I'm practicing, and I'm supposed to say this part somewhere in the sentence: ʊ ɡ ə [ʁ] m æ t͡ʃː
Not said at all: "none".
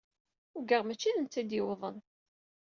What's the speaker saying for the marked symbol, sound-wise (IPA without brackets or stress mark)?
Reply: ʁ